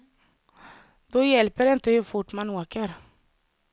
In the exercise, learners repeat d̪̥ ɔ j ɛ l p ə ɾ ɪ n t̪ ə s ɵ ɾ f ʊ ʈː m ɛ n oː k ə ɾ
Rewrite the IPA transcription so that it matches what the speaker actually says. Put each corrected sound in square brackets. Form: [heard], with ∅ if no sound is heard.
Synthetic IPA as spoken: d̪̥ ɔ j ɛ l p ə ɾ ɪ n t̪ ə [h] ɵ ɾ f ʊ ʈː m [a] n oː k ə ɾ